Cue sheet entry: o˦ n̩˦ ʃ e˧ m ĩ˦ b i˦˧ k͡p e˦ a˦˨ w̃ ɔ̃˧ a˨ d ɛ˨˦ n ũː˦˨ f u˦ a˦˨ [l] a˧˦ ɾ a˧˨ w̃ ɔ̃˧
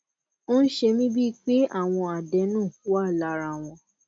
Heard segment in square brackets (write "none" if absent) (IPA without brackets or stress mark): l